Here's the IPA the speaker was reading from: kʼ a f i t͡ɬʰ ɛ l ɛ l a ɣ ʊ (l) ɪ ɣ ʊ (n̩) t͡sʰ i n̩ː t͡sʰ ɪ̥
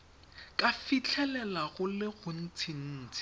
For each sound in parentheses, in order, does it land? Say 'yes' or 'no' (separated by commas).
yes, yes